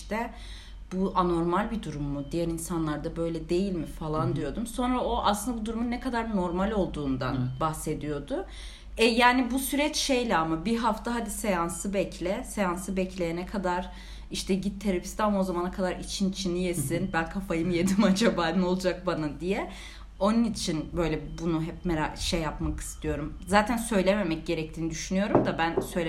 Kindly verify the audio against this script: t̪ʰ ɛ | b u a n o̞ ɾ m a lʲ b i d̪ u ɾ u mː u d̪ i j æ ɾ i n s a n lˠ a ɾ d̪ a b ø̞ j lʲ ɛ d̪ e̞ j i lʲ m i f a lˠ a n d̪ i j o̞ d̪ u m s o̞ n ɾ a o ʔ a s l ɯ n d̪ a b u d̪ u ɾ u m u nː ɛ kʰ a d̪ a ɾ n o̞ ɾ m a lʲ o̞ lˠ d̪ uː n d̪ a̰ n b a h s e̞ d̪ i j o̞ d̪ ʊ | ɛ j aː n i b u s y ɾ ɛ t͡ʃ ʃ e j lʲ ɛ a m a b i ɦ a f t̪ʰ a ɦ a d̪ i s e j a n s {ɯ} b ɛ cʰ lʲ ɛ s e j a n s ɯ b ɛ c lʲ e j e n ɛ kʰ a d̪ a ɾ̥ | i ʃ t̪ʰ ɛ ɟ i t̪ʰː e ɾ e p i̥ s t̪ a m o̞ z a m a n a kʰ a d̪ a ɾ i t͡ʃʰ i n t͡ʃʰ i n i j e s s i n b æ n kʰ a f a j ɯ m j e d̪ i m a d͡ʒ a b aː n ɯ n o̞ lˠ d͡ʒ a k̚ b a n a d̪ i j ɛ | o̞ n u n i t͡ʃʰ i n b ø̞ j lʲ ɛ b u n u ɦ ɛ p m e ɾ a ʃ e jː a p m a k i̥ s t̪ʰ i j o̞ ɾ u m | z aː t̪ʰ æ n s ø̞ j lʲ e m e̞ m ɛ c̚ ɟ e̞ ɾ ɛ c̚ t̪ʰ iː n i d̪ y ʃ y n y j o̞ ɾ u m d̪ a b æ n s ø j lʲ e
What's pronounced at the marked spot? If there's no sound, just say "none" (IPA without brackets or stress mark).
ɯ